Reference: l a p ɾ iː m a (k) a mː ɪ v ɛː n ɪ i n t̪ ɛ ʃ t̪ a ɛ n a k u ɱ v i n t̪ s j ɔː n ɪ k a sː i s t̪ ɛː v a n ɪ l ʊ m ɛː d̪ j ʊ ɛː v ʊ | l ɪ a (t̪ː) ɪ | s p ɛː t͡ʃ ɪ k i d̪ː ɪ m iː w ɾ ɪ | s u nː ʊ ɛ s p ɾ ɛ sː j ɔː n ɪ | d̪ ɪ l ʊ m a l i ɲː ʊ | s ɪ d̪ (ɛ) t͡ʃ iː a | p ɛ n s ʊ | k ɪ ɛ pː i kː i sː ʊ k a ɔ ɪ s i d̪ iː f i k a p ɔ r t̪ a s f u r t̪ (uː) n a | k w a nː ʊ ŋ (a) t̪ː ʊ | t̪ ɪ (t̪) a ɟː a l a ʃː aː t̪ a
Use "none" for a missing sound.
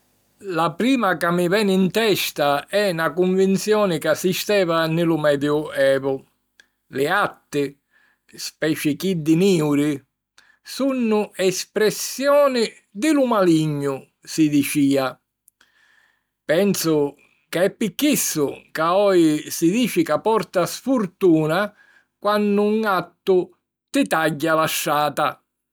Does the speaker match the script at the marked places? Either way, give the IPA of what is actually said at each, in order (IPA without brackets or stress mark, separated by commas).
k, t̪ː, i, uː, a, t̪